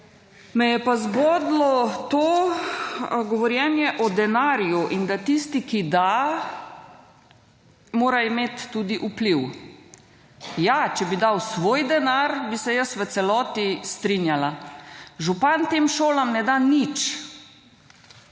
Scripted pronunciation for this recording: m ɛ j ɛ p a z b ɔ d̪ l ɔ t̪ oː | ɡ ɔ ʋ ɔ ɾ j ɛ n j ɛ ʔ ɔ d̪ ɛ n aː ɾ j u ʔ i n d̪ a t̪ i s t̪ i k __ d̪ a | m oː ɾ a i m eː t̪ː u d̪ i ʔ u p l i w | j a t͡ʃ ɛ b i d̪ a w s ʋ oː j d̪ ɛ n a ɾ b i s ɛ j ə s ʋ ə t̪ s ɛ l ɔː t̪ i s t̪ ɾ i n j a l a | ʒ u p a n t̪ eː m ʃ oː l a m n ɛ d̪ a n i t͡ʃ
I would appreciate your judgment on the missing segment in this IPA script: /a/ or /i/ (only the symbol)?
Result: i